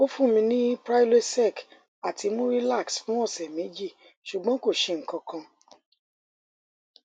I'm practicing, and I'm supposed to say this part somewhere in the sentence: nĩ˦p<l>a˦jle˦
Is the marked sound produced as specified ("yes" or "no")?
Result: no